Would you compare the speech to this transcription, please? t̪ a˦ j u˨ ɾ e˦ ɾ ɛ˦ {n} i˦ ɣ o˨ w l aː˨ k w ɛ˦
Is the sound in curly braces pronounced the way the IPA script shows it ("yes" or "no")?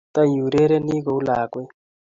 yes